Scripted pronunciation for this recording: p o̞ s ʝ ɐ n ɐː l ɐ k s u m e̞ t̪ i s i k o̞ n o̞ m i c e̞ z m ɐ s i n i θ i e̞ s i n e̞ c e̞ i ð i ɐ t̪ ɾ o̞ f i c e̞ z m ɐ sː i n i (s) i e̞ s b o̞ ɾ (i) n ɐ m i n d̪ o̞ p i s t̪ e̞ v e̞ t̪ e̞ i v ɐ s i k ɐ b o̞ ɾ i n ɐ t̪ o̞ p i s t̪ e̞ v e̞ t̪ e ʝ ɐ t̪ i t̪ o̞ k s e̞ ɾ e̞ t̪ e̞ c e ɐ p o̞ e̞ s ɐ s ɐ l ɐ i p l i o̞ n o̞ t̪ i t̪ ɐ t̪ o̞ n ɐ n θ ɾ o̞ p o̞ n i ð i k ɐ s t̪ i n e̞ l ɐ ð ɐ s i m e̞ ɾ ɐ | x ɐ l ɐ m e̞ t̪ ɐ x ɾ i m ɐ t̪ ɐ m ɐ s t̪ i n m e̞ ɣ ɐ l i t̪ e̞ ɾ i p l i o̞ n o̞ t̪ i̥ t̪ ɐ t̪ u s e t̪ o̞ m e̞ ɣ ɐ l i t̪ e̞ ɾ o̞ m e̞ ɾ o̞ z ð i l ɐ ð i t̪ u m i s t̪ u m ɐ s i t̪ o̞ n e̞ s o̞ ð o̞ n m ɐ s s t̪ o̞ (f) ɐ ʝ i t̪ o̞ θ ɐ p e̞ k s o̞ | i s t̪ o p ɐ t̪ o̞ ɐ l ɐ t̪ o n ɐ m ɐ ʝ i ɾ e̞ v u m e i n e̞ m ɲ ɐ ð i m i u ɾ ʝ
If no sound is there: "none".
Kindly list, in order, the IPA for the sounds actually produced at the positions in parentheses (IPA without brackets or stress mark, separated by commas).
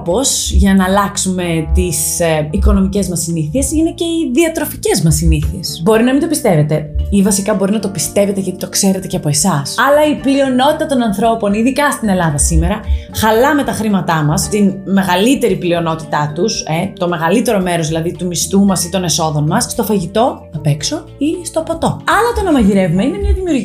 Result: θ, i, f